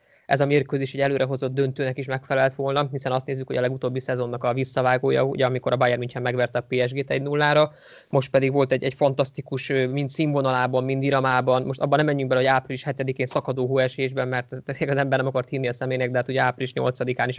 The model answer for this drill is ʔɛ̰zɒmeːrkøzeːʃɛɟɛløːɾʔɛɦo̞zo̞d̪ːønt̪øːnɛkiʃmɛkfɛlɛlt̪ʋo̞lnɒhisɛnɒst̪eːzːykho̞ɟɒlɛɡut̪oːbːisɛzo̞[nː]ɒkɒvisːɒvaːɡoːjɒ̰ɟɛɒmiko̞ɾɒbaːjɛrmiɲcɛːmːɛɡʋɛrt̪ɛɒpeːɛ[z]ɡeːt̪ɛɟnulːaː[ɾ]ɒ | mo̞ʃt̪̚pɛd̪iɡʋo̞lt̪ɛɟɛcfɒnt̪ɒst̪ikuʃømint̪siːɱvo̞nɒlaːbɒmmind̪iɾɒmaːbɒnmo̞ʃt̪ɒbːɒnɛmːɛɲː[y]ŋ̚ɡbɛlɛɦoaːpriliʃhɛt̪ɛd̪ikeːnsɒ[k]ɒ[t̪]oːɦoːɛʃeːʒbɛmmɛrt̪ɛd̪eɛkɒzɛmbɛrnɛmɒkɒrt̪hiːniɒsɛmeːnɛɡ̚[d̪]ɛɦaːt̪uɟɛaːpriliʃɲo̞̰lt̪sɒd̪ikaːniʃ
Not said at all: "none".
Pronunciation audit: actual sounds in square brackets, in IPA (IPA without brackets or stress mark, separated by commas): nː, ʒ, ɾ, y, k, d̪, d̪